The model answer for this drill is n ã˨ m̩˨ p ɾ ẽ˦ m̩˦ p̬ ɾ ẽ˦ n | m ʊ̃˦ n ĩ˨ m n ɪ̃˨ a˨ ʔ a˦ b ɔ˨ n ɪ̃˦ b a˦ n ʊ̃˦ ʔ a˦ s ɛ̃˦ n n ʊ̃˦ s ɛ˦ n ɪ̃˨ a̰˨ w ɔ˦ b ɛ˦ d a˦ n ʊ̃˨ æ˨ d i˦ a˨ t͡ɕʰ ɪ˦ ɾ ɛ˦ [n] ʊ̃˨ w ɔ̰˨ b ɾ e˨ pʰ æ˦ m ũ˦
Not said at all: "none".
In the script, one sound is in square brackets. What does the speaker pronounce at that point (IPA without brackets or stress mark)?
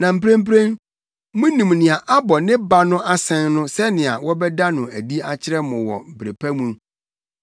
m